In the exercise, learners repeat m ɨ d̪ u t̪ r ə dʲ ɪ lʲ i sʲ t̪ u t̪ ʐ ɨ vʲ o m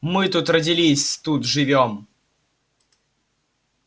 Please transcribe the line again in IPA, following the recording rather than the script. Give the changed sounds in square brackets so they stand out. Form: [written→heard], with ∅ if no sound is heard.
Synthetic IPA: m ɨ [d̪→t̪] u t̪ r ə dʲ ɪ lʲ i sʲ t̪ u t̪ ʐ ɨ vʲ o m